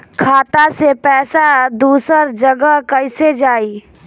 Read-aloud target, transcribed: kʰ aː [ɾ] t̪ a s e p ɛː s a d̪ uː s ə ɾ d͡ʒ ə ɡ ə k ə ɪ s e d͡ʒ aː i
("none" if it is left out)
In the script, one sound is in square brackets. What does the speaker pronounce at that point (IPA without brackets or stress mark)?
none